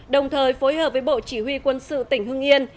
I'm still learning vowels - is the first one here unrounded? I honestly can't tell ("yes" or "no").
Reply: yes